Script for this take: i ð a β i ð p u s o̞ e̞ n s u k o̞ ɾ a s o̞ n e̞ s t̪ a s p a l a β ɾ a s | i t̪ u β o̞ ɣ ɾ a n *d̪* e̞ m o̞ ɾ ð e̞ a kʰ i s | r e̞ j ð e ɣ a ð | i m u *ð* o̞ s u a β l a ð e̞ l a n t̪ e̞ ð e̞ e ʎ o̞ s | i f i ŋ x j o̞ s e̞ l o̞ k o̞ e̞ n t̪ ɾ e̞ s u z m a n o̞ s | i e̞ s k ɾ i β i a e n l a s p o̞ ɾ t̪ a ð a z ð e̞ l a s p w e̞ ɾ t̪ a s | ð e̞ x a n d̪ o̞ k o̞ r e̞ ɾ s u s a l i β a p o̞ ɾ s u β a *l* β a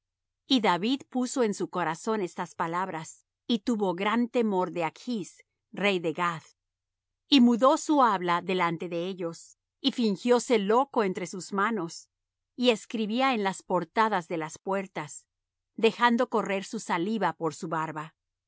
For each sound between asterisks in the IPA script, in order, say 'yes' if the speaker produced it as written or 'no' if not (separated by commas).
no, yes, no